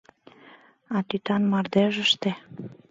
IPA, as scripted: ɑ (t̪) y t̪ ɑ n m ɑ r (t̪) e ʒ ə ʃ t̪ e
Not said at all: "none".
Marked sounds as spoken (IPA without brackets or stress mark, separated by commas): t̪, d̪